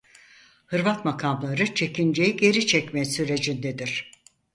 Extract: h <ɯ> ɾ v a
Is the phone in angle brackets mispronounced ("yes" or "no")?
no